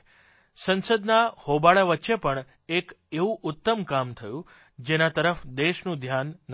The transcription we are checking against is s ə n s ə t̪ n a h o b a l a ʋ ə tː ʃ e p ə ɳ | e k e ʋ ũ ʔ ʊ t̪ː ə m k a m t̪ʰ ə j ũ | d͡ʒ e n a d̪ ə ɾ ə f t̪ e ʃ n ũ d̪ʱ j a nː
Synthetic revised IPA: s ə n s ə d̪ n a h o b a ɭ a ʋ ə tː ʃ e p ə ɳ | e k e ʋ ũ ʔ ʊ t̪ː ə m k a m t̪ʰ ə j ũ | d͡ʒ e n a t̪ ə ɾ ə f d̪ e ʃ n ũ d̪ʱ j a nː